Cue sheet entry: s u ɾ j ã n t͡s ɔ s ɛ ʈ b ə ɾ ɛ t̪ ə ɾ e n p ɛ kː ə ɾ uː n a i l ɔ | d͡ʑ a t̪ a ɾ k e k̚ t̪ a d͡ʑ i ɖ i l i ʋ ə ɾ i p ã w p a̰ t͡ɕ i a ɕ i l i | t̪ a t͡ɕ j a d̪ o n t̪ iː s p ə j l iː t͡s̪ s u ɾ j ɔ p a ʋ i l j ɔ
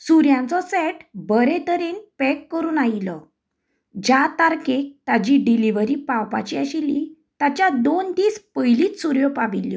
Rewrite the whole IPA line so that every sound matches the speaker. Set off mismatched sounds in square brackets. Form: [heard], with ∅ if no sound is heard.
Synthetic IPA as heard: s u ɾ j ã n t͡s ɔ s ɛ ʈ b ə ɾ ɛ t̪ ə ɾ e n p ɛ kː ə ɾ uː n a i l ɔ | d͡ʑ a t̪ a ɾ k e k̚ t̪ a d͡ʑ i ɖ i l i ʋ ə ɾ i p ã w p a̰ t͡ɕ i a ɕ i l i | t̪ a t͡ɕ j a d̪ o n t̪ iː s p ə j l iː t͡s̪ s u ɾ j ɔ p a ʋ i l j ɔ

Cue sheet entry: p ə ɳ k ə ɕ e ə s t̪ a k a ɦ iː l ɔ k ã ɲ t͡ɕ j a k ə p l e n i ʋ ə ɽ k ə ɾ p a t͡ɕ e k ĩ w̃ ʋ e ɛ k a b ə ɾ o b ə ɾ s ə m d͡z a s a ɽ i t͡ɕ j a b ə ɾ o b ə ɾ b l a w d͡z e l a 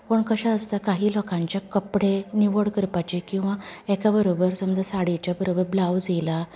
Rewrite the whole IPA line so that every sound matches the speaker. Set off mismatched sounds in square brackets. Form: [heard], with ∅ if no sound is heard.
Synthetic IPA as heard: p ə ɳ k ə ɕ [a] ə s t̪ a k a ɦ iː l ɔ k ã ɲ t͡ɕ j a k ə p [ɽ] e n i ʋ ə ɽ k ə ɾ p a t͡ɕ e k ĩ w̃ ʋ [a] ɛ k a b ə ɾ o b ə ɾ s ə m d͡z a s a ɽ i t͡ɕ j a b ə ɾ o b ə ɾ b l a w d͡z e l a

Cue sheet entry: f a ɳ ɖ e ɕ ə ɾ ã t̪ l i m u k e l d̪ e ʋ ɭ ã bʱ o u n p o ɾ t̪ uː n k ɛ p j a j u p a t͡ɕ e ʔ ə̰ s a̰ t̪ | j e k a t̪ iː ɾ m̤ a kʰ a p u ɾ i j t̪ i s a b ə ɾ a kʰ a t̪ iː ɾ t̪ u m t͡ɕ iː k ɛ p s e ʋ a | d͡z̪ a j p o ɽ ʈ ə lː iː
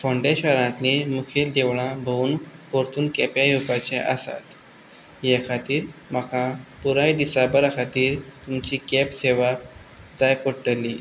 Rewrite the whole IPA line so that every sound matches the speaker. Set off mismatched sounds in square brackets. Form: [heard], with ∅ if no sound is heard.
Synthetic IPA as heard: f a ɳ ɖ e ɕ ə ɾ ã t̪ l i m u [kʰ] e l d̪ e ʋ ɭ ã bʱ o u n p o ɾ t̪ uː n k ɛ p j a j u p a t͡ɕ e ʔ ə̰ s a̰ t̪ | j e [kʰ] a t̪ iː ɾ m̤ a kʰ a p u ɾ [a] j [d̪] i s a b ə ɾ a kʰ a t̪ iː ɾ t̪ u m t͡ɕ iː k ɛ p s e ʋ a | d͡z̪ a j p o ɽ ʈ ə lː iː

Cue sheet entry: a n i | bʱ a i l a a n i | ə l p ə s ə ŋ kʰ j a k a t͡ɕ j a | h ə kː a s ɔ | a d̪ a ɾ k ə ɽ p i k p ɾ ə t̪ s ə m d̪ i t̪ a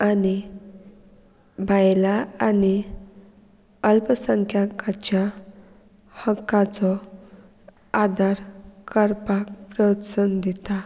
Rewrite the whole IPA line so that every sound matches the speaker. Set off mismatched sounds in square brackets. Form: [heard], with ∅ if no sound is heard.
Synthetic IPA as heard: a n i | bʱ a [j] l a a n i | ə l p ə s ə ŋ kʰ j a k a t͡ɕ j a | h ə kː a [t͡s] ɔ | a d̪ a ɾ k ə [ɾ] p [a] k p ɾ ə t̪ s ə [n] d̪ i t̪ a

